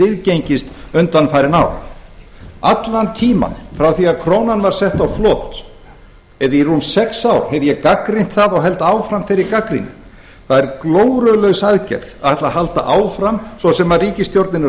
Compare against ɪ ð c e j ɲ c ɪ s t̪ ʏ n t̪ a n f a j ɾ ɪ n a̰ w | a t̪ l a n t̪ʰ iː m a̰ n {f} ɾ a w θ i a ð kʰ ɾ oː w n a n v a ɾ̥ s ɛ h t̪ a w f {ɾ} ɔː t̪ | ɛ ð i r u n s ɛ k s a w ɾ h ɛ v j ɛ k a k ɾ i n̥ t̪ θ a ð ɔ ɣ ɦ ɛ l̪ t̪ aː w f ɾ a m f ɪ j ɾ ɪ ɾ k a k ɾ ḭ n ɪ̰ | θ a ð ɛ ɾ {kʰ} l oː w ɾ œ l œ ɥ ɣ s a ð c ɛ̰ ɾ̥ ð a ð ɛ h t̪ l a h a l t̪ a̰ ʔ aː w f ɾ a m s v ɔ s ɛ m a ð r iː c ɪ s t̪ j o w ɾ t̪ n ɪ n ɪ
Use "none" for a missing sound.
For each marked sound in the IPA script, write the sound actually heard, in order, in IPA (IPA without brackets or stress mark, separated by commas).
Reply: f, l, k